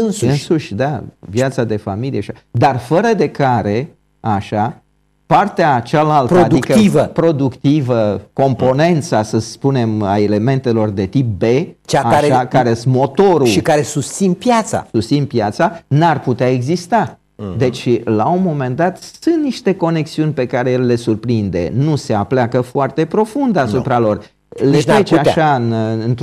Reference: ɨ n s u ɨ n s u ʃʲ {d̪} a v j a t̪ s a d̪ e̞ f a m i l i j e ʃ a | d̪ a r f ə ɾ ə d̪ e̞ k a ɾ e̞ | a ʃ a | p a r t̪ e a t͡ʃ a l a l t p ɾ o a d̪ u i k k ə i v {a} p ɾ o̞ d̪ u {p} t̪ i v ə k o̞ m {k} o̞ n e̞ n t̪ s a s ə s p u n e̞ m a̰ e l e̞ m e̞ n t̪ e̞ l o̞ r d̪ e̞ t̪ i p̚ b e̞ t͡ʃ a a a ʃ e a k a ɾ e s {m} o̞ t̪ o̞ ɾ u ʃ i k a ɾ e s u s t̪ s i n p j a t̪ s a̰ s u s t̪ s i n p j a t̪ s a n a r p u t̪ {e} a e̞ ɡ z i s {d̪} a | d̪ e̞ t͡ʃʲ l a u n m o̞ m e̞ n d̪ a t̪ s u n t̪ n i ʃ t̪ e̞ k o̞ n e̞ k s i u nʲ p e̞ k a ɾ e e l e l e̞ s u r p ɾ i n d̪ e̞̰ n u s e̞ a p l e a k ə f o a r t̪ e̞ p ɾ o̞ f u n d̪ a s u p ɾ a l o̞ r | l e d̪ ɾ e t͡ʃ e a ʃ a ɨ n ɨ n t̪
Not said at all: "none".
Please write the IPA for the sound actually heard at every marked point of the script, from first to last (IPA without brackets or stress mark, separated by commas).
d̪, ə, k, p, m, e, t̪